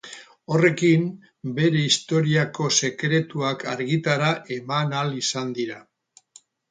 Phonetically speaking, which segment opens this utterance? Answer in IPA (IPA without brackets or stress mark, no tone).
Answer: o̞